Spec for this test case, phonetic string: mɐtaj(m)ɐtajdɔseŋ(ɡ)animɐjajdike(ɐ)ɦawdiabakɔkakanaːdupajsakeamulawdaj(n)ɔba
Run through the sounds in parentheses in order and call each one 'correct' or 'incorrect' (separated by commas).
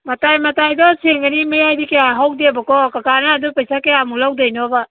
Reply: correct, correct, incorrect, correct